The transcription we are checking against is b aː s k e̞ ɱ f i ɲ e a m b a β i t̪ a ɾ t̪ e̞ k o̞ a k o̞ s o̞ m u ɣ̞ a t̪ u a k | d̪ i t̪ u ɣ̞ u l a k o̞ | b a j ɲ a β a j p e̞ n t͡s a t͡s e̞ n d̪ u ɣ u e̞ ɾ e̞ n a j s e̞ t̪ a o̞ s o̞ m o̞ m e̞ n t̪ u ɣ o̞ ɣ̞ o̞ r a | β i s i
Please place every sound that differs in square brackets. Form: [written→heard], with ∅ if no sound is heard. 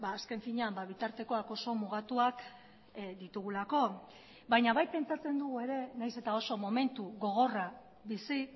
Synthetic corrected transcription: b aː s k e̞ ɱ f i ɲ e a m b a β i t̪ a ɾ t̪ e̞ k o̞ a k o̞ s o̞ m u ɣ̞ a t̪ u a k | d̪ i t̪ u ɣ̞ u l a k o̞ | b a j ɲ a β a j p e̞ n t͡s a t͡s e̞ n d̪ u ɣ u e̞ ɾ e̞ n a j s e̞ t̪ a o̞ s o̞ m o̞ m e̞ n t̪ u ɣ o̞ ɣ̞ o̞ r a | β i s i